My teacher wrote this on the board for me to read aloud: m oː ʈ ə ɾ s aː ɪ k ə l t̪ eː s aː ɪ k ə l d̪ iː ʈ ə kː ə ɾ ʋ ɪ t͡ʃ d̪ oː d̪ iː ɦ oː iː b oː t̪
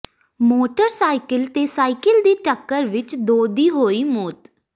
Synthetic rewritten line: m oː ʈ ə ɾ s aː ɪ k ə l t̪ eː s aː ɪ k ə l d̪ iː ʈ ə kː ə ɾ ʋ ɪ t͡ʃ d̪ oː d̪ iː ɦ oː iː m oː t̪